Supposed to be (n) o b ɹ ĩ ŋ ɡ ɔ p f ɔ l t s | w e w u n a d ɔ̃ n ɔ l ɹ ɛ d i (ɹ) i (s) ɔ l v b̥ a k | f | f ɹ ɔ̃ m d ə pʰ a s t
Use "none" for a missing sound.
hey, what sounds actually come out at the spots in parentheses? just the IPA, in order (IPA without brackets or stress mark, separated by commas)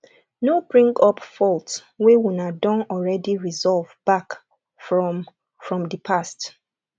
n, ɹ, z